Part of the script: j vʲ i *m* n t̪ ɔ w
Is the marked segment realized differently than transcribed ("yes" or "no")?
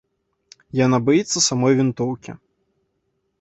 yes